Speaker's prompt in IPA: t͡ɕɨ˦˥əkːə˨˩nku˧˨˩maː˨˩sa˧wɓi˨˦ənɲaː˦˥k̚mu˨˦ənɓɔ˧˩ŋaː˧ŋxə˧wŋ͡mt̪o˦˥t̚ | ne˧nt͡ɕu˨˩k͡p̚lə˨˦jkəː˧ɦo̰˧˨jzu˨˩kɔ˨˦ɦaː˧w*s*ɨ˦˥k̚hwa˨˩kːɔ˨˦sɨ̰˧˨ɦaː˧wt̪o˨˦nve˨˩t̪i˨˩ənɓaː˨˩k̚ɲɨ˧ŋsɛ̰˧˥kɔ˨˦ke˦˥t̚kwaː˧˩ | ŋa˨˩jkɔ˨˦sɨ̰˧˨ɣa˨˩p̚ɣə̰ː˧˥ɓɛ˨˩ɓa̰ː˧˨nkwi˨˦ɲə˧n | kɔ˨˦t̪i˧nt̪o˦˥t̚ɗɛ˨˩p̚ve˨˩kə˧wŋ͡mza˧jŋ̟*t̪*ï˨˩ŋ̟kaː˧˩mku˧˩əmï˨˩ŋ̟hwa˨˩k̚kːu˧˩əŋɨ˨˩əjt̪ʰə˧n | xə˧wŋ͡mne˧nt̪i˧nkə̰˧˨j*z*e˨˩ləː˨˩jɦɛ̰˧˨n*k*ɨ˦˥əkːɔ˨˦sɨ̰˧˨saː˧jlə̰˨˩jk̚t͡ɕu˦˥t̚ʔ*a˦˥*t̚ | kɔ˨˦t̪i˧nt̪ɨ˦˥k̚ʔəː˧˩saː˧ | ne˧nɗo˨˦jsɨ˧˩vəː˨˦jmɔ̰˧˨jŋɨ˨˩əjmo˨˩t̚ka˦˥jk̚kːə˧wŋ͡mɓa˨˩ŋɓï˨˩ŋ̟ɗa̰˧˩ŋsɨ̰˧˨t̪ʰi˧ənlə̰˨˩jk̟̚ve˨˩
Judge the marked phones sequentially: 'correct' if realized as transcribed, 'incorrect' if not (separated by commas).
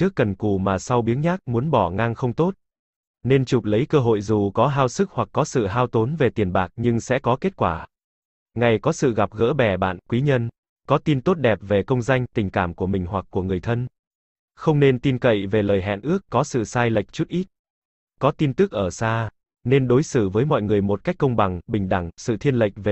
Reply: correct, correct, incorrect, incorrect, incorrect